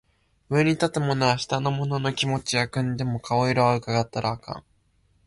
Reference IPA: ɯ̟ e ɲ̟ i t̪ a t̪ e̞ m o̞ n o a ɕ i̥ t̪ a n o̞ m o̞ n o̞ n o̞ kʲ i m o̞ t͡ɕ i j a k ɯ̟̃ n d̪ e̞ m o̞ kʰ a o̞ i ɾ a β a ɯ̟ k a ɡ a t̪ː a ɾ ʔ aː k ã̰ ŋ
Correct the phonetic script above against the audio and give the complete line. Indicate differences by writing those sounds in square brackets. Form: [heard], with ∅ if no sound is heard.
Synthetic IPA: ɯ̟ e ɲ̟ i t̪ a t̪ e̞ m o̞ n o a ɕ i̥ t̪ a n o̞ m o̞ n o̞ n o̞ kʲ i m o̞ t͡ɕ i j a k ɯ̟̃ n d̪ e̞ m o̞ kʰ a o̞ i ɾ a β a ɯ̟ k a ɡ a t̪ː a ɾ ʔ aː k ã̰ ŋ